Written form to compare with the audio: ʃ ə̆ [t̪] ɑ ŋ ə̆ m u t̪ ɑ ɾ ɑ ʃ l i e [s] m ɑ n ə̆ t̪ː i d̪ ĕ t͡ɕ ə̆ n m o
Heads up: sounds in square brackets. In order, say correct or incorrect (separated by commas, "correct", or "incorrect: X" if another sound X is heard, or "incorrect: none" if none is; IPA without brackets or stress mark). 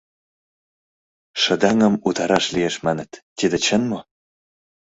incorrect: d̪, incorrect: ʃ